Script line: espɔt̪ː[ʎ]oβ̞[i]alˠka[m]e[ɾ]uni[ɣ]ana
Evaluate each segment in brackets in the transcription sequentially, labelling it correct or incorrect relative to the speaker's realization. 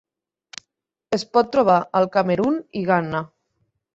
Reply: incorrect: ɾ, incorrect: a, correct, correct, correct

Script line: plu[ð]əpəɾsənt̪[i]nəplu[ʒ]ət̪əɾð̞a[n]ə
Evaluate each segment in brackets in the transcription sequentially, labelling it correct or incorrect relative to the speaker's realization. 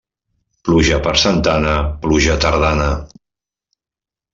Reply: incorrect: ʒ, incorrect: a, correct, correct

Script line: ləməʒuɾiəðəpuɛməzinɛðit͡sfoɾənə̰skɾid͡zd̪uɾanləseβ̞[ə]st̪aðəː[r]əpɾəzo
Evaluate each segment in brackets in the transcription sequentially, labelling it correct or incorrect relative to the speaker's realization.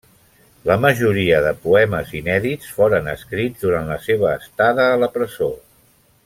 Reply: incorrect: əː, incorrect: l

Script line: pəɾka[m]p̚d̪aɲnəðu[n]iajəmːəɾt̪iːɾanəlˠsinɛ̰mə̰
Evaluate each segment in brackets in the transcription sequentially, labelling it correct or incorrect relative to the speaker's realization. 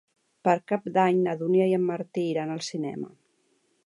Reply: incorrect: none, correct

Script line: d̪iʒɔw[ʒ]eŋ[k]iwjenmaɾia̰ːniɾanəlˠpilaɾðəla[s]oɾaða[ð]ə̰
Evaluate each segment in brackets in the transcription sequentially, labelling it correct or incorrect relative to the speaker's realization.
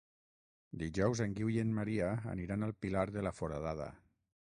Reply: incorrect: z, incorrect: ɡ, incorrect: f, correct

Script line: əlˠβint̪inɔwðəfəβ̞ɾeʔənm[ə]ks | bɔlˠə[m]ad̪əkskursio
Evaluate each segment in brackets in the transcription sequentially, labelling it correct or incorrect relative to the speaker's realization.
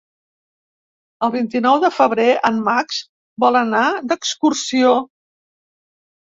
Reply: incorrect: a, incorrect: n

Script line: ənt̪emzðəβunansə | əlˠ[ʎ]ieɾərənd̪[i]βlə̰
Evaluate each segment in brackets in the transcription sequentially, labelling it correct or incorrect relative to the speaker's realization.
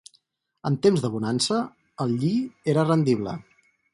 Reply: correct, correct

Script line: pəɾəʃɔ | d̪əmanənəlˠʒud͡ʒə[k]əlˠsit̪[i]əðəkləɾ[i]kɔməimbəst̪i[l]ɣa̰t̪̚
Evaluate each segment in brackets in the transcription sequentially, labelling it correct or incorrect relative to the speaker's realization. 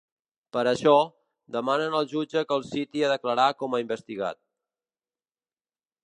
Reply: correct, correct, incorrect: a, incorrect: none

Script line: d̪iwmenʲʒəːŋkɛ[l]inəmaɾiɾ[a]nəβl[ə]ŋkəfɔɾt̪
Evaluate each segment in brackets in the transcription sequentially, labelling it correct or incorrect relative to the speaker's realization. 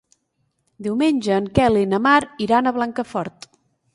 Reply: correct, correct, incorrect: a

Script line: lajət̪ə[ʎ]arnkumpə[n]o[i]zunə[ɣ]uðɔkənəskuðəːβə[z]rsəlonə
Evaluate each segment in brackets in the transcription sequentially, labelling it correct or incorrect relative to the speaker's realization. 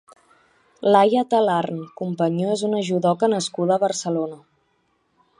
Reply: incorrect: l, incorrect: ɲ, incorrect: e, incorrect: ʒ, incorrect: none

